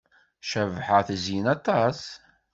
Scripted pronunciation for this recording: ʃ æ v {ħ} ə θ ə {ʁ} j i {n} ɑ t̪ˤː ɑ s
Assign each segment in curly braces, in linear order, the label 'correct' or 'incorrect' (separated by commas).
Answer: correct, incorrect, correct